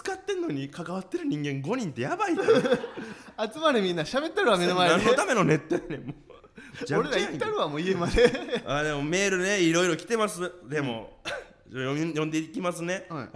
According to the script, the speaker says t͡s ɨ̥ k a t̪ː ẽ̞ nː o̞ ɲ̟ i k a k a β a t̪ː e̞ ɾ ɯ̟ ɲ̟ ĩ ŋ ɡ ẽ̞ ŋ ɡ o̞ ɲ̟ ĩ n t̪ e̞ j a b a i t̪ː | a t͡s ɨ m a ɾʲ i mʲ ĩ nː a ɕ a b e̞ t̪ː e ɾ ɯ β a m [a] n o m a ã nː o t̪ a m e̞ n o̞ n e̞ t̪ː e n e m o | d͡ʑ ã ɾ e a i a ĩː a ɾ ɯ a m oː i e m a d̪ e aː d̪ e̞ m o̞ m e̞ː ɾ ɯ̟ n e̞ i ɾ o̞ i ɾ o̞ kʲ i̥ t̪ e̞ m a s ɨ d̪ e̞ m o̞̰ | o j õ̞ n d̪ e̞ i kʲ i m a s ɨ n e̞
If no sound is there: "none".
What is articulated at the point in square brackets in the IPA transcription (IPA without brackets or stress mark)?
e